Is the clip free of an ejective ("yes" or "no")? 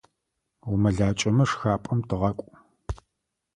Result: no